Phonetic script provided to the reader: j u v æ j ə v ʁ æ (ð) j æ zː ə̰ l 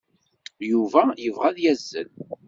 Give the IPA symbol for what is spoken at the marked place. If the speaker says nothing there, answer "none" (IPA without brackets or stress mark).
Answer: ð